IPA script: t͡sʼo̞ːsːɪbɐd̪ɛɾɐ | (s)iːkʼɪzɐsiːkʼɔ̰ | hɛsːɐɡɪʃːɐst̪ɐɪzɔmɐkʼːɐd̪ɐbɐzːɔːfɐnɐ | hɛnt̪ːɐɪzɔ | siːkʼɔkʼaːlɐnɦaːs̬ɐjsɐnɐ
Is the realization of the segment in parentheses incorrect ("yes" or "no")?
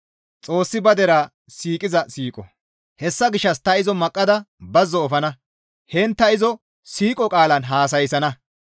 no